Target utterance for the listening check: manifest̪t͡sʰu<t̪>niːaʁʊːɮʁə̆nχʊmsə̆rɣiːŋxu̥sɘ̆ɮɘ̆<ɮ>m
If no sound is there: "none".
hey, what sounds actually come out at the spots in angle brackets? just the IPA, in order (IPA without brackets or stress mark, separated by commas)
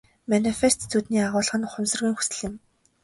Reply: t̪, none